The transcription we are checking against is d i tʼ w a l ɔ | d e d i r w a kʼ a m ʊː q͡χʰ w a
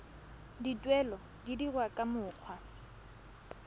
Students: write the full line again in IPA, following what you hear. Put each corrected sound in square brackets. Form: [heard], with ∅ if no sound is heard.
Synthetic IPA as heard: d i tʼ w [ɛ] l ɔ | d [i] d i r w a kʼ a m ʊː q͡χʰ w a